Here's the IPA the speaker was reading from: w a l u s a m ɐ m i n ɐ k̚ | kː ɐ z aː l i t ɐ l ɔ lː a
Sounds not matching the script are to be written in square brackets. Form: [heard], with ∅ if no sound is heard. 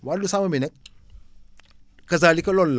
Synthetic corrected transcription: w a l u s a m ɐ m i n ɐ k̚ | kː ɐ z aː l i [k] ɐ l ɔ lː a